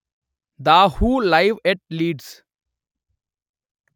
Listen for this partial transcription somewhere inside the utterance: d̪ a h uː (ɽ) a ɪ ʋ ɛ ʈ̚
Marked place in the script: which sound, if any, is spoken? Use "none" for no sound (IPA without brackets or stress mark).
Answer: l